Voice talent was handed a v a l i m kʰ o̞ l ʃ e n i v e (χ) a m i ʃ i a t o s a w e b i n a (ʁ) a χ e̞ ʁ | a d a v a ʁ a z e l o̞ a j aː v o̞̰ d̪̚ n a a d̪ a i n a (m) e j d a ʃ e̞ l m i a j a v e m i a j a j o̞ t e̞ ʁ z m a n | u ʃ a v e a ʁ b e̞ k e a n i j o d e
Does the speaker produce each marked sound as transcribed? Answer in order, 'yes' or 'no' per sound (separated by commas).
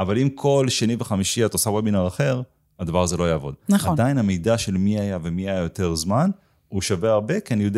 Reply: yes, yes, yes